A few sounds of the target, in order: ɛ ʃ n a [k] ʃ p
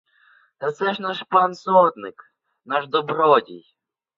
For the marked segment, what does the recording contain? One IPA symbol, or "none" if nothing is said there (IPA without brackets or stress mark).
none